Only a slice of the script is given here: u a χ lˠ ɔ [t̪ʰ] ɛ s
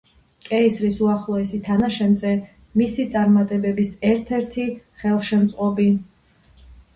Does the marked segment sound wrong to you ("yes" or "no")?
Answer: yes